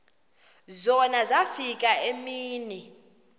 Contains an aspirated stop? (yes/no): no